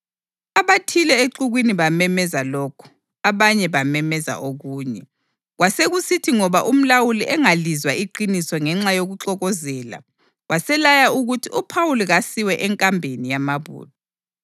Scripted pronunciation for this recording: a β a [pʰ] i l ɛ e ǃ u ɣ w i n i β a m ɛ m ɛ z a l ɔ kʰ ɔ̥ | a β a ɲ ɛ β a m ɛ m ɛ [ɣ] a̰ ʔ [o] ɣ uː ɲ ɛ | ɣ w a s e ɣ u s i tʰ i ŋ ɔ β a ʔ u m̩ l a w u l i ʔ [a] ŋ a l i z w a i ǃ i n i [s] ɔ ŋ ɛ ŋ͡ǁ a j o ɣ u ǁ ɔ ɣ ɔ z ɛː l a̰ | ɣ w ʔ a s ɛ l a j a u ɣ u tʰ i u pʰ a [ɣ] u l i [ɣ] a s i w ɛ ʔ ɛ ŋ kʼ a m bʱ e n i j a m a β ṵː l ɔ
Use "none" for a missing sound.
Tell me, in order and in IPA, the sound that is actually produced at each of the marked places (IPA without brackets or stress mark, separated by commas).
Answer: tʰ, z, o, ɛ, s, w, ɣ